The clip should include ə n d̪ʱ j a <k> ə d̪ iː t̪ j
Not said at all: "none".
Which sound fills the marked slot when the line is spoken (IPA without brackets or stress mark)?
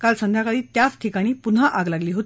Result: k